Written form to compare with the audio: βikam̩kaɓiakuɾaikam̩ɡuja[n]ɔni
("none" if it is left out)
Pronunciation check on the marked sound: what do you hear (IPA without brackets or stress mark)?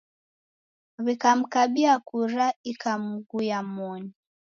m